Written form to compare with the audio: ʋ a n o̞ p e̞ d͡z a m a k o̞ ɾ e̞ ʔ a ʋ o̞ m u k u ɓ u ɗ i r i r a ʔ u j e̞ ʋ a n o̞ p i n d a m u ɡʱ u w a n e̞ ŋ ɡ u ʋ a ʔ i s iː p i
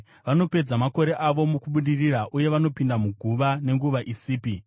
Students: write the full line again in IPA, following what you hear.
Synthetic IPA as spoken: ʋ a n o̞ p e̞ d͡z a m a k o̞ ɾ e̞ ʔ a ʋ o̞ m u k u ɓ u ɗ i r i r a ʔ u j e̞ ʋ a n o̞ p i n d a m u ɡʱ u ʋ a n e̞ ŋ ɡ u ʋ a ʔ i s iː p i

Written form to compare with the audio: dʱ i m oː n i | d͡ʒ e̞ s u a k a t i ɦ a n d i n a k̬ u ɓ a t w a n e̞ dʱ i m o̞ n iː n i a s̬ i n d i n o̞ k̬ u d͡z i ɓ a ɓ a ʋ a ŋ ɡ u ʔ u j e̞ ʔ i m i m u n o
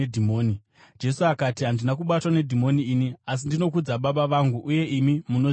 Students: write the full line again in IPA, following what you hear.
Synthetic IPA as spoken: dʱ i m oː n i | d͡ʒ e̞ s u a k a t i ɦ a n d i n a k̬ u ɓ a t w a n e̞ dʱ i m o̞ n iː n i a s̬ i n d i n o̞ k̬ u d͡z a ɓ a ɓ a ʋ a ŋ ɡ u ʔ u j e̞ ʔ i m i m u n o

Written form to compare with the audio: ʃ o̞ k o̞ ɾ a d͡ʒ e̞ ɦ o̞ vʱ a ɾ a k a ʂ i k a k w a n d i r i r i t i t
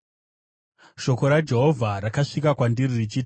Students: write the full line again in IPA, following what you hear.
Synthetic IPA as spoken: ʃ o̞ k o̞ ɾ a d͡ʒ e̞ ɦ o̞ vʱ a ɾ a k a ʂ i k a k w a n d i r i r i t͡ʃ i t

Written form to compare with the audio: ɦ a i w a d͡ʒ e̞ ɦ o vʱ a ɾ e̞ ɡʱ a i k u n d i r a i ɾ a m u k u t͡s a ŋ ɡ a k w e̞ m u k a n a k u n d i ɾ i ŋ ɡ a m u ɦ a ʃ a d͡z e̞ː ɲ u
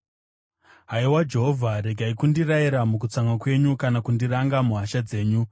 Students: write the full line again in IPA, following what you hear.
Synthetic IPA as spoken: ɦ a i w a d͡ʒ e̞ ɦ o vʱ a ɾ e̞ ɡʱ a i k u n d i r a i ɾ a m u k u t͡s a ŋ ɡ a k w e̞ ɲ u k a n a k u n d i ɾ a ŋ ɡ a m u ɦ a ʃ a d͡z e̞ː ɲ u

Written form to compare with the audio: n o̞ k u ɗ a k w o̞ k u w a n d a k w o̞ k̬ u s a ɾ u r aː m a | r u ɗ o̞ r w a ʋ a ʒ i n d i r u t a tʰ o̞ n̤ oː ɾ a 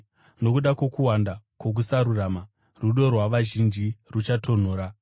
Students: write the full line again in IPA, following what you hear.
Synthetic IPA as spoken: n o̞ k u ɗ a k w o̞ k u w a n d a k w o̞ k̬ u s a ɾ u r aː m a | r u ɗ o̞ r w a ʋ a ʒ i n d͡ʒ i r u t͡ʃ a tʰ o̞ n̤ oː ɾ a

